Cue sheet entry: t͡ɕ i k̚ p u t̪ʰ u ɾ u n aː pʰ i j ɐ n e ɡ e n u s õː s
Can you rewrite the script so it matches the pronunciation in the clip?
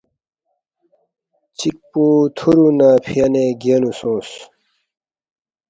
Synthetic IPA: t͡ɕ i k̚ p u t̪ʰ u ɾ u n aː pʰ i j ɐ n e ɡ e n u s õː s